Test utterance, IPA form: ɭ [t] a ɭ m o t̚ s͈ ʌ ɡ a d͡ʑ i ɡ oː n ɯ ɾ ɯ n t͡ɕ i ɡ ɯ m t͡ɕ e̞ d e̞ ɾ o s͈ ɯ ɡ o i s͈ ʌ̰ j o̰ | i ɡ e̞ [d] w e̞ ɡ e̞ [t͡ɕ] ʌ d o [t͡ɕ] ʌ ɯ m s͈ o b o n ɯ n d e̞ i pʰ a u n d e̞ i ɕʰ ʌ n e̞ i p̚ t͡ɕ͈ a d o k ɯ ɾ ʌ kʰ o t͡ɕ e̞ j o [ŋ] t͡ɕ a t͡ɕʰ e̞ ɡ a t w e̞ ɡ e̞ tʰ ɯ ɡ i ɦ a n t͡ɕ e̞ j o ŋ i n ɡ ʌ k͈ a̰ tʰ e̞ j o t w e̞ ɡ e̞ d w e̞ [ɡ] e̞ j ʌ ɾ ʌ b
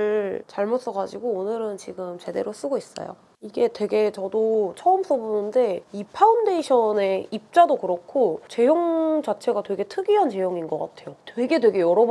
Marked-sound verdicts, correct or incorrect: incorrect: t͡ɕ, incorrect: t, correct, incorrect: t͡ɕʰ, correct, correct

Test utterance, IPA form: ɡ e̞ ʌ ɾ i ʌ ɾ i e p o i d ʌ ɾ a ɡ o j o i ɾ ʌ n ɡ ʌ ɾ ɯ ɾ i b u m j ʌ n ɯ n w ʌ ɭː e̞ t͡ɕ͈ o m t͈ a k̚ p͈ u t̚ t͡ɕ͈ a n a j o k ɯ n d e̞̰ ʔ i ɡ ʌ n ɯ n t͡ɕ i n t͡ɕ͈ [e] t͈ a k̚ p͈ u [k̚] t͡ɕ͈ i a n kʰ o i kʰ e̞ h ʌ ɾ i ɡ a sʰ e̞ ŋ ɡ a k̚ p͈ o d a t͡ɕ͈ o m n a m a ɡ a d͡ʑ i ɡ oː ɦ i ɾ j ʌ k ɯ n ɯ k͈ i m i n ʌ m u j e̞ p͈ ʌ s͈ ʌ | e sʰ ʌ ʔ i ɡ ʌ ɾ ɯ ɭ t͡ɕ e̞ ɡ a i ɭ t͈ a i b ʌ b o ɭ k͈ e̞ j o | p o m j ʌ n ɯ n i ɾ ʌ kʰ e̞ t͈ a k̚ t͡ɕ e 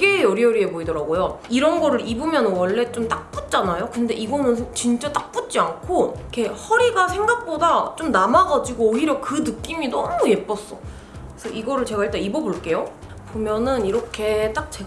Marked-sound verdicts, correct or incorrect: incorrect: a, incorrect: t̚

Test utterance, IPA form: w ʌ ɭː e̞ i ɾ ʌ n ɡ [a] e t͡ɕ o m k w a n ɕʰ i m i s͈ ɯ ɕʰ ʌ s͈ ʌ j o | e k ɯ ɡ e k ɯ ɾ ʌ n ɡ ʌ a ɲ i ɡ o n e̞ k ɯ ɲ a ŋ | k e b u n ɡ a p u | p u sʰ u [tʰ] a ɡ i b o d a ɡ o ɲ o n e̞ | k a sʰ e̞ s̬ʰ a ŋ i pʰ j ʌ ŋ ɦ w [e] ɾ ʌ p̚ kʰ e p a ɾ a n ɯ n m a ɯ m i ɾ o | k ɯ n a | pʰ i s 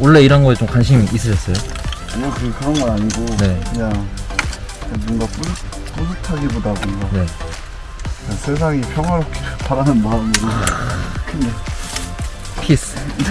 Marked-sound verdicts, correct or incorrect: incorrect: ʌ, correct, incorrect: a

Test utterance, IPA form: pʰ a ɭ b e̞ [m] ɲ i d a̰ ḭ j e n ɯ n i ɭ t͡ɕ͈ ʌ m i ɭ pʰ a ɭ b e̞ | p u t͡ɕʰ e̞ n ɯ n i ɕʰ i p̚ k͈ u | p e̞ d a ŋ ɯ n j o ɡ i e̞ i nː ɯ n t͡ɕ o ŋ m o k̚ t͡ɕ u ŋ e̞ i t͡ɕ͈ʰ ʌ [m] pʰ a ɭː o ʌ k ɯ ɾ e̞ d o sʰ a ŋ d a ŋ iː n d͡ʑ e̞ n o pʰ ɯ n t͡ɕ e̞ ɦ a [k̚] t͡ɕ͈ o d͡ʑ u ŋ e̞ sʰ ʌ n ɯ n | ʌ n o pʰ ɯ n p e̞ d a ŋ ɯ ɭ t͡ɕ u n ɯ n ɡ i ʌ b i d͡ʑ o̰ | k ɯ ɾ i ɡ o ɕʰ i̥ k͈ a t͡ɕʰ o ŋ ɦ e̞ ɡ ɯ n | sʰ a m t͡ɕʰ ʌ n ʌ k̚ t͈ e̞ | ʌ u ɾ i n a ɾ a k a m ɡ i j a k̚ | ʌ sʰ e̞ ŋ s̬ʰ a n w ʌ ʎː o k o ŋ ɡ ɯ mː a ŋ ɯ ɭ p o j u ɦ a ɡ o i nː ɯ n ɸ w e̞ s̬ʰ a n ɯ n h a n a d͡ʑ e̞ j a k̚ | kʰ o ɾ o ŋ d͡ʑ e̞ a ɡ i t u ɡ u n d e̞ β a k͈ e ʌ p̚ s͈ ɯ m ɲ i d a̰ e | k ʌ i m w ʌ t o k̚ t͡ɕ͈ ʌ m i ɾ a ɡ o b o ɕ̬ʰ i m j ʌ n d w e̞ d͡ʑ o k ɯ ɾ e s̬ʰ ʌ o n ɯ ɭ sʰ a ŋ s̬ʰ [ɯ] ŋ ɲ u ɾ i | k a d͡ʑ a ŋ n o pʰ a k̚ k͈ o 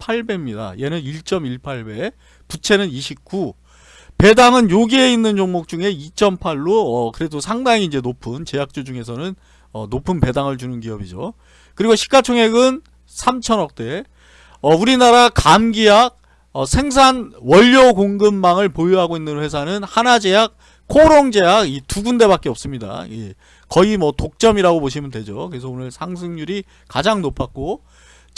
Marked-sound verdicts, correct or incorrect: correct, correct, correct, correct

